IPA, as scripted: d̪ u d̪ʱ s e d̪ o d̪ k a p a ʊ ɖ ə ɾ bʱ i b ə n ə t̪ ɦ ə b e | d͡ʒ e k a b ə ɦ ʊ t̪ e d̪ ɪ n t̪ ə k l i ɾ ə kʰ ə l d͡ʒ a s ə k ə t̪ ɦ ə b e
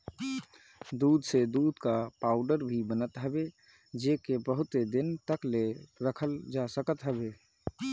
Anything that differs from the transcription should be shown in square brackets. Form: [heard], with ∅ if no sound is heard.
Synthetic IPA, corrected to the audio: d̪ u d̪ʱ s e d̪ [u] d̪ k a p a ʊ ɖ ə ɾ bʱ i b ə n ə t̪ ɦ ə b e | d͡ʒ e k [e] b ə ɦ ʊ t̪ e d̪ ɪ n t̪ ə k l [e] ɾ ə kʰ ə l d͡ʒ a s ə k ə t̪ ɦ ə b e